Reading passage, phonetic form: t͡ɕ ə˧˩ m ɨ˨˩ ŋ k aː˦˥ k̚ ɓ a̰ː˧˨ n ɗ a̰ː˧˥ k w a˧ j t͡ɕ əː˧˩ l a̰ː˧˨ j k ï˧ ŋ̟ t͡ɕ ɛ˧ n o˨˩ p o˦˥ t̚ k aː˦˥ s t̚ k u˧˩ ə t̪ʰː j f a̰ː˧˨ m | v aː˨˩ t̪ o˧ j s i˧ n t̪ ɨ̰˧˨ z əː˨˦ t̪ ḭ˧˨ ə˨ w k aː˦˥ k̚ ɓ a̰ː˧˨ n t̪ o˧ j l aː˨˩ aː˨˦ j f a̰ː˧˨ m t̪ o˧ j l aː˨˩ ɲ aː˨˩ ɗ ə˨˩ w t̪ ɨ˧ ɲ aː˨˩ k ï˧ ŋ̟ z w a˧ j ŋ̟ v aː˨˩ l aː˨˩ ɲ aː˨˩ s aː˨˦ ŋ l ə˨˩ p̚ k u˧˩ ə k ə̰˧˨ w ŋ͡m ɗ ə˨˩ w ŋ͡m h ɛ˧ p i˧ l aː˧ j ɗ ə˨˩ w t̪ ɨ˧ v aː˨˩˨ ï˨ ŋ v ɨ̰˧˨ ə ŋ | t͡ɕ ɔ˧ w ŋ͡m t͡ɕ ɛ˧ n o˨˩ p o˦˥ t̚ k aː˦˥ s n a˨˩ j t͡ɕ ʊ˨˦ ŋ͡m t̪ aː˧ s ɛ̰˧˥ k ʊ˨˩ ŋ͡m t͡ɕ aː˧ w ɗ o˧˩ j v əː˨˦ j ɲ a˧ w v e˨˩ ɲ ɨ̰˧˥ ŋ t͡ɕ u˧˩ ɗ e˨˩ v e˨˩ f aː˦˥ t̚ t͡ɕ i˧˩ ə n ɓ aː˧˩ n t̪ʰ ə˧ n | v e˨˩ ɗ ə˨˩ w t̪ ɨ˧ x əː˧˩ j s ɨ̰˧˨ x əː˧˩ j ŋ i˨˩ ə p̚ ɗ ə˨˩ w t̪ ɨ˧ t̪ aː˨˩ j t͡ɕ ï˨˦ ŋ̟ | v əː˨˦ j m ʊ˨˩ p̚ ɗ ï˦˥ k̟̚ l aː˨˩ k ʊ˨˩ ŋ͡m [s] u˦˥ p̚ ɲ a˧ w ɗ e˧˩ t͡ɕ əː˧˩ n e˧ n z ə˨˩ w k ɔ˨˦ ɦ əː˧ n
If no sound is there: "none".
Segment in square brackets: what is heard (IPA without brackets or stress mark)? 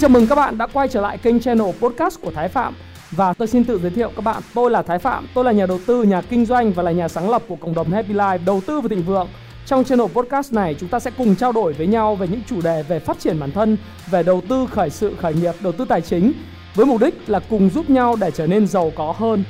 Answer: z